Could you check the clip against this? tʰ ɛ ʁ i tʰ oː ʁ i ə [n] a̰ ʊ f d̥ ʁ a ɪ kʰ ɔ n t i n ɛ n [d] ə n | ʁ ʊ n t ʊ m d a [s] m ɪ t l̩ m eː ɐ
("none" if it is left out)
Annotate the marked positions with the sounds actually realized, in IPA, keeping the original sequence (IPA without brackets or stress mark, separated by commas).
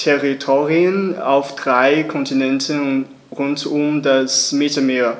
n, t, s